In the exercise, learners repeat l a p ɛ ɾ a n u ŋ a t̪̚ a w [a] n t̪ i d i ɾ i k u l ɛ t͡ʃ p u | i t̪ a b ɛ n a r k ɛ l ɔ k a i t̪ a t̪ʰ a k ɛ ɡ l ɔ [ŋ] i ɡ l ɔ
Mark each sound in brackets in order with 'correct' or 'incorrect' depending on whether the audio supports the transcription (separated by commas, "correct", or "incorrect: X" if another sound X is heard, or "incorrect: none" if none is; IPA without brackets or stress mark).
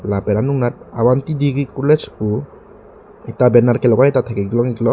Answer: correct, correct